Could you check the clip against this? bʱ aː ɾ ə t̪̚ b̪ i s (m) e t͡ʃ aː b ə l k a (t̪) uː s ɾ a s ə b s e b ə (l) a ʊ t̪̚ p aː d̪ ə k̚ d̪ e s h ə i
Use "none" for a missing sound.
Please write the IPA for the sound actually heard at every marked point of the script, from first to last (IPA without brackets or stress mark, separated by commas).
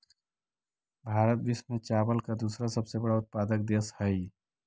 m, d̪, ɽ